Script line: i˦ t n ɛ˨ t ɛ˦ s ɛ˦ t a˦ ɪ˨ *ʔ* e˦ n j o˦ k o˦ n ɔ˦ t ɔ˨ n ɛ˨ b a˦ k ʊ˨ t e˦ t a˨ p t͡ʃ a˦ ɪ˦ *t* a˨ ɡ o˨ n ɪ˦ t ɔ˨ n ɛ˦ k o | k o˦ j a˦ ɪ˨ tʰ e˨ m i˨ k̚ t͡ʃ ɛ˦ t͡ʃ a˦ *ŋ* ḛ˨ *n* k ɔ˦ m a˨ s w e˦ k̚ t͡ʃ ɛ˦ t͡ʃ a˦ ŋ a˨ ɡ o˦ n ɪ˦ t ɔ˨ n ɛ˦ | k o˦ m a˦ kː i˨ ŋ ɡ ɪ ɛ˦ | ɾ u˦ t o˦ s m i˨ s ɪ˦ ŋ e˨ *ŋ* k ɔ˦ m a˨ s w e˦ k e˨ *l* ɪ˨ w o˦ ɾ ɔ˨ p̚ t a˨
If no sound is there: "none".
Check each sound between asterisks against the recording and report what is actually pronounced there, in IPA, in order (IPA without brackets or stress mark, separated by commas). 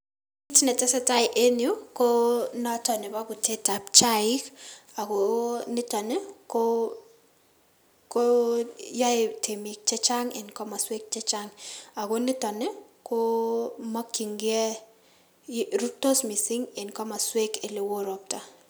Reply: ʔ, k, ŋ, n, n, l